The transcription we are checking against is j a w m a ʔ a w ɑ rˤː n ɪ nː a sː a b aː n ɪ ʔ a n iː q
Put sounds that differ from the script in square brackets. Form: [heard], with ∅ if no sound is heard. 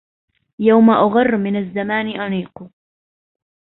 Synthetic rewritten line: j a w m a ʔ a [ɣ] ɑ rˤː [m] ɪ [n] a [zː] a [m] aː n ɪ ʔ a n iː q